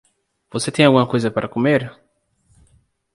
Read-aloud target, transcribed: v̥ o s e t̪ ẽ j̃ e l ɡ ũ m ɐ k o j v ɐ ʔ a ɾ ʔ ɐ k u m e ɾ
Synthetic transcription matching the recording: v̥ o s e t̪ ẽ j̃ a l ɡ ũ m ɐ k o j z ɐ p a ɾ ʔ ɐ k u m e ɾ